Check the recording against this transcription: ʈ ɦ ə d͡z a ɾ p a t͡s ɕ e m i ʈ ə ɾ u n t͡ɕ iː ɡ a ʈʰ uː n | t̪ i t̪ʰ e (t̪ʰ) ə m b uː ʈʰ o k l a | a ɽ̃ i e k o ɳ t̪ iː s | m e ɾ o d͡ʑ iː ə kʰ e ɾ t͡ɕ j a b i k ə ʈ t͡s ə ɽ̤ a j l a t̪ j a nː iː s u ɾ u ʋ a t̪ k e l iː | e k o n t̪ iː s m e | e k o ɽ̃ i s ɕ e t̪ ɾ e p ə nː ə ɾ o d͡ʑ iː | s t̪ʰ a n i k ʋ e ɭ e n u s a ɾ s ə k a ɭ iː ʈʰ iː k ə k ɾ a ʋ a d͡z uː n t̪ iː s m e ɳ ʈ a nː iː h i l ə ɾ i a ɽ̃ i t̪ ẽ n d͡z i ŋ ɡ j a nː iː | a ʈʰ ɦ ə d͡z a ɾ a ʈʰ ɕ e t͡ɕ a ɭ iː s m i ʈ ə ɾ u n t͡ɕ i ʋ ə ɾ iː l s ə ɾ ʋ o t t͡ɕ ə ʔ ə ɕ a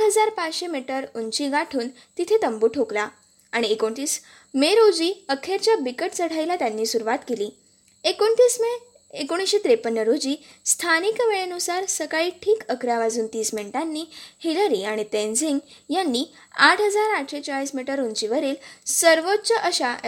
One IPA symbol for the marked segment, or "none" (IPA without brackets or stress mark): t̪